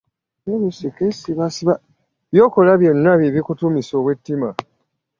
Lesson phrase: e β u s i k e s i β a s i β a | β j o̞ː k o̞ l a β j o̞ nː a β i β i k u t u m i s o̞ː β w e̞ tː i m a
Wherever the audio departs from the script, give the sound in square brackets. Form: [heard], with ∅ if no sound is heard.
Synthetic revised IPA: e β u s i k e s i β a s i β a | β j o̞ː k o̞ l a β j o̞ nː a β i β i k u t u m i s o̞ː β w e̞ tː i m a